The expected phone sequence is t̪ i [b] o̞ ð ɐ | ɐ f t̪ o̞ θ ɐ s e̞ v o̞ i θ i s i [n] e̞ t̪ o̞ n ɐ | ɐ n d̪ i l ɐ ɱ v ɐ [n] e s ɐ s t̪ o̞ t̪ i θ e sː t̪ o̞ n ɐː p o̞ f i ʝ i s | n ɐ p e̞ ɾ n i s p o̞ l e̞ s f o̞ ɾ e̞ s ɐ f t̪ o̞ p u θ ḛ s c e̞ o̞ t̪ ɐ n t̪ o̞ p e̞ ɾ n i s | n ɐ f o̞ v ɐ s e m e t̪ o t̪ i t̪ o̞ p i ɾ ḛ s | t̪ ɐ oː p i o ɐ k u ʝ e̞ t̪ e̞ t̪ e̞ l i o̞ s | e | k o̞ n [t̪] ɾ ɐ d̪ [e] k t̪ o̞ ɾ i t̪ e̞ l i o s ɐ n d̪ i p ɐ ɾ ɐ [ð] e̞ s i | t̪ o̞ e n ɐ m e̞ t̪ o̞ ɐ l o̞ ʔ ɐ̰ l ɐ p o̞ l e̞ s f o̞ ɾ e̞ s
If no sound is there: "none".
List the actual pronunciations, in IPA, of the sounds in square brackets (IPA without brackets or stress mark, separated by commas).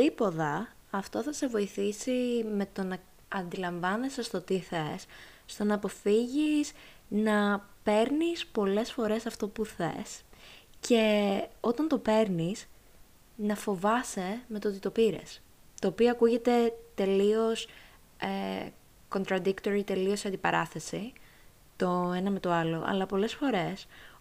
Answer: p, m, n, t̪, i, θ